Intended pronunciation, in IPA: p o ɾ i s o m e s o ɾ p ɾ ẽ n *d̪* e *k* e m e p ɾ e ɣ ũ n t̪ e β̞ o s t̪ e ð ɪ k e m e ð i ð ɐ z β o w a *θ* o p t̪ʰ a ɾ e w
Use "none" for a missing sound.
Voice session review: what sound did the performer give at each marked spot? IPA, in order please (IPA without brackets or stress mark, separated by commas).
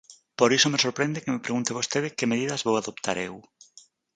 d̪, k, ð